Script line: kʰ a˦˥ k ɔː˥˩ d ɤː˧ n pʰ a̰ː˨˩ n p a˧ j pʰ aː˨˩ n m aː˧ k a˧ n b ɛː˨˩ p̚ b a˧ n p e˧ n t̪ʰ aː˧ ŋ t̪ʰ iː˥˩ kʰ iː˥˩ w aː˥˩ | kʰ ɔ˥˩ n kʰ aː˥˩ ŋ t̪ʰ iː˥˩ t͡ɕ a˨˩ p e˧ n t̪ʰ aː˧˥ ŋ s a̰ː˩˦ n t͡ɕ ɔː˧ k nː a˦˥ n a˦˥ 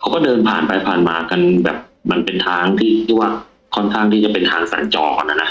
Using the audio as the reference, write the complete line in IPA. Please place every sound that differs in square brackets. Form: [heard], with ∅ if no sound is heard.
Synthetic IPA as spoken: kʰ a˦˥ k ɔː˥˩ d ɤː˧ n pʰ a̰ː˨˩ n p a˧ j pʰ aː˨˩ n m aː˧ k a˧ n b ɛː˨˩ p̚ [m] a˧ n p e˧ n t̪ʰ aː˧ ŋ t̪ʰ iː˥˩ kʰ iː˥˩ w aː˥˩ | kʰ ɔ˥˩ n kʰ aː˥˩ ŋ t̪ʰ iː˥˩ t͡ɕ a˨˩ p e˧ n t̪ʰ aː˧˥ ŋ s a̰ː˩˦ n t͡ɕ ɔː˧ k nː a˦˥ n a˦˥

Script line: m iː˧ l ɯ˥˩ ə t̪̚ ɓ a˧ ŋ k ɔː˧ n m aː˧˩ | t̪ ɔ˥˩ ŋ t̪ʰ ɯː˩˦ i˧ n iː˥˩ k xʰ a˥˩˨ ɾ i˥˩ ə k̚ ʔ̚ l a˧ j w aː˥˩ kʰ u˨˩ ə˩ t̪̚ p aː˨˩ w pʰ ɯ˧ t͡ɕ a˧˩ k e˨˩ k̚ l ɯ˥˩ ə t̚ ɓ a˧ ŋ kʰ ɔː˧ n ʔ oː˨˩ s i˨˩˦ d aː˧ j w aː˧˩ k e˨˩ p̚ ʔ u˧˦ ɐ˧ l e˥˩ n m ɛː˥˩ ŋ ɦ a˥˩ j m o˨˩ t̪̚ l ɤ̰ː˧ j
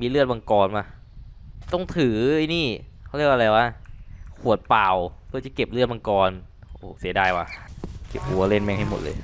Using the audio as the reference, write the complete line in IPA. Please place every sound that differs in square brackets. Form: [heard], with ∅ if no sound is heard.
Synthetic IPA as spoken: m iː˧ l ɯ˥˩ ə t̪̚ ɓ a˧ ŋ k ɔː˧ n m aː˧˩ | t̪ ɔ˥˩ ŋ t̪ʰ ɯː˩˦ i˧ n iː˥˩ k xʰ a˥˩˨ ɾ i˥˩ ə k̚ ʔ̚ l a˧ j w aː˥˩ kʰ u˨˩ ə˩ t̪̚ p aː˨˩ w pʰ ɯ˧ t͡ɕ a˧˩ k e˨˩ [p̚] l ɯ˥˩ ə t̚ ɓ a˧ ŋ [k] ɔː˧ n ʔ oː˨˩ s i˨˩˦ d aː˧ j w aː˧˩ k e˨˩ p̚ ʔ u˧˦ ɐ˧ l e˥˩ n m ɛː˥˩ ŋ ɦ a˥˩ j m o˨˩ t̪̚ l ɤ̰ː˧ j

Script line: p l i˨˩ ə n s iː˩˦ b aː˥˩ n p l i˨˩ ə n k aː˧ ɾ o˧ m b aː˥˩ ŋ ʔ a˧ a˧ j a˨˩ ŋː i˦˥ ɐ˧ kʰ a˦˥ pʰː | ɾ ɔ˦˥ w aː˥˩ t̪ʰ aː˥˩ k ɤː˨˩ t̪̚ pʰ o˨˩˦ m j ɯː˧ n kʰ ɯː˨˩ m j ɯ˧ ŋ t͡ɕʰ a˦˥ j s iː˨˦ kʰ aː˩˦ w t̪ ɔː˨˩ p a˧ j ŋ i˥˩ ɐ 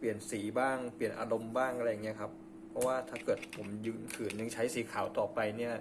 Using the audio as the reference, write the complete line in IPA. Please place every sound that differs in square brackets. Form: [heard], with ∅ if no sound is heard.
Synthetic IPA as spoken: p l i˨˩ ə n s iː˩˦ b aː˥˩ [ŋ] p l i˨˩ ə n [ʔ] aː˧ ɾ o˧ m b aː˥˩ ŋ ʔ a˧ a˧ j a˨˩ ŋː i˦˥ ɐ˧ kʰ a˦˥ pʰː | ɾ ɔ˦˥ w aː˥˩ t̪ʰ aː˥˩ k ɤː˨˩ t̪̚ pʰ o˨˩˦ m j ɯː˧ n kʰ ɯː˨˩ [n] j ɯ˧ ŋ t͡ɕʰ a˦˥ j s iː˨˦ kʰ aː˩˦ w t̪ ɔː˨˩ p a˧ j [n] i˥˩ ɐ

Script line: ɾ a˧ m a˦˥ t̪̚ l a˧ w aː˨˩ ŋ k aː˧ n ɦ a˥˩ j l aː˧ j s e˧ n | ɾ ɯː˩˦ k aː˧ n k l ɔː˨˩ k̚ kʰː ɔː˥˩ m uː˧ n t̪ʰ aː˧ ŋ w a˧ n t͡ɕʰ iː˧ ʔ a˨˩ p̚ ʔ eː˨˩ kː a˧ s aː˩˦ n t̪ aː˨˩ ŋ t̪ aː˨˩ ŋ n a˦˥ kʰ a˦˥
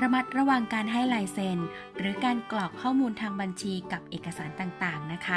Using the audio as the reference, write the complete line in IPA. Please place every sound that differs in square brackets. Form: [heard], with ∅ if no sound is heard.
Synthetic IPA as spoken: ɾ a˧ m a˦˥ t̪̚ [ɾ] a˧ w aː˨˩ ŋ k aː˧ n ɦ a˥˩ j l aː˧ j s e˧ n | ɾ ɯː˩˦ k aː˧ n k l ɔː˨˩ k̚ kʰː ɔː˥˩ m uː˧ n t̪ʰ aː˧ ŋ [b] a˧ n t͡ɕʰ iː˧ [k] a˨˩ p̚ ʔ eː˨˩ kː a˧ s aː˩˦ n t̪ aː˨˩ ŋ t̪ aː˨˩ ŋ n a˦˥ kʰ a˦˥

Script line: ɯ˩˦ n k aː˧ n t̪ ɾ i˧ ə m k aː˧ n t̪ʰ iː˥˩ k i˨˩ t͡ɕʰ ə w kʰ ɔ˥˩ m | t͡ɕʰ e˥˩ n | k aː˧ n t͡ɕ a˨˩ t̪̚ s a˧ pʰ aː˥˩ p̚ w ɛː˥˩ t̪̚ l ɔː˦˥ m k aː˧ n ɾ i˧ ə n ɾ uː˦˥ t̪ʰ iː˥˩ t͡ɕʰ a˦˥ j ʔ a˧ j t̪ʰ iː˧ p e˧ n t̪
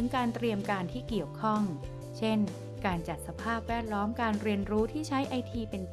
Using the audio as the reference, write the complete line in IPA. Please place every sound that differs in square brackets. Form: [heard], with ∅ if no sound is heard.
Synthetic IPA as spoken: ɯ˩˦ [ŋ] k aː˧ n t̪ ɾ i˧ ə m k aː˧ n t̪ʰ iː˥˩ k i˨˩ [∅] ə w kʰ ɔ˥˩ [ŋ] | t͡ɕʰ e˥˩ n | k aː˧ n t͡ɕ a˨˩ t̪̚ s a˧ pʰ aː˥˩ p̚ w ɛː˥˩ t̪̚ l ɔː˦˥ m k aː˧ n ɾ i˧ ə n ɾ uː˦˥ t̪ʰ iː˥˩ t͡ɕʰ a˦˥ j ʔ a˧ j t̪ʰ iː˧ p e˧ n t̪

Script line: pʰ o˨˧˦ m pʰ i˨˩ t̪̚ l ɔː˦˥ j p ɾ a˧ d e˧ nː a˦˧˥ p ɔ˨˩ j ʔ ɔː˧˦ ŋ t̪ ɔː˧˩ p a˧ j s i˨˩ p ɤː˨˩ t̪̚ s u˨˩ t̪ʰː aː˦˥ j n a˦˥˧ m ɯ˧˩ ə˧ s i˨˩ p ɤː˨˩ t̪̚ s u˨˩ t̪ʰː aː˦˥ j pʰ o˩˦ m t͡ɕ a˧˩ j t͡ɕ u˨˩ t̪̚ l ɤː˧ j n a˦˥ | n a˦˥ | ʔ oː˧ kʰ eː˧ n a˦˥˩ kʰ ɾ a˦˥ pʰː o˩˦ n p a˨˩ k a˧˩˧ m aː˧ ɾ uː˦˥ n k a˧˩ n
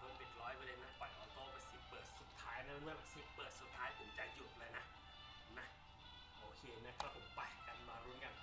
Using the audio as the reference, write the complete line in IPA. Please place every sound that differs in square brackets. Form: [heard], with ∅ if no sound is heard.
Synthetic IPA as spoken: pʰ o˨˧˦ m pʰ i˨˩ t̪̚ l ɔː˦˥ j p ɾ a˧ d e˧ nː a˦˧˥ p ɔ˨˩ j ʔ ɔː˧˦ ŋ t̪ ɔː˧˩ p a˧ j s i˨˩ p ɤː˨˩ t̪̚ s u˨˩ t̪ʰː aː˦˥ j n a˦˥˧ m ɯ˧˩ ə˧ s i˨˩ p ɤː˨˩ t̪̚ s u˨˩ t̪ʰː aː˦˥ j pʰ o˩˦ m t͡ɕ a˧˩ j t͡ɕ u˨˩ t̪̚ l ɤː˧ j n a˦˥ | n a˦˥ | ʔ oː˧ kʰ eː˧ n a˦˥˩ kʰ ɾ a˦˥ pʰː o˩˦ [m] p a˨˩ k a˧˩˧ m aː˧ ɾ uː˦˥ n k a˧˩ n

